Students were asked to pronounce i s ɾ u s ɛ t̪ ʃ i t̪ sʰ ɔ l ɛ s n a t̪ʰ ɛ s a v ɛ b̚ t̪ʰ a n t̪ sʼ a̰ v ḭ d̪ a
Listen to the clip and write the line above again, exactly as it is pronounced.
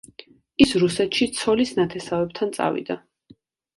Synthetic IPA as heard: i s ɾ u s ɛ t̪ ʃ i t̪ sʰ ɔ l i s n a t̪ʰ ɛ s a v ɛ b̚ t̪ʰ a n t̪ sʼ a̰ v ḭ d̪ a